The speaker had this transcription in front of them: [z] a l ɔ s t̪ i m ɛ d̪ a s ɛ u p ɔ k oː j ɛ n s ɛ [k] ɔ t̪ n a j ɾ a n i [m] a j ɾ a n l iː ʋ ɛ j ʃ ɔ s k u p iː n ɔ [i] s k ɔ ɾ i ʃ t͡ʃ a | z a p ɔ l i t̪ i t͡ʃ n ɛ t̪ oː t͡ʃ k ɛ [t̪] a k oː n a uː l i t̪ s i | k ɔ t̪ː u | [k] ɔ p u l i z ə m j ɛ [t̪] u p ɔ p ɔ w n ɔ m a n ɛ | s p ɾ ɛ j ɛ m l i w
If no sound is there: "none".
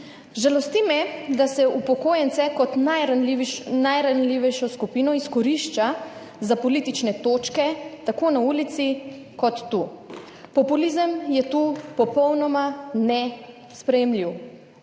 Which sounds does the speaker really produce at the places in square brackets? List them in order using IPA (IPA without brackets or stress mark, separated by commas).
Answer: ʒ, k, n, i, t̪, p, t̪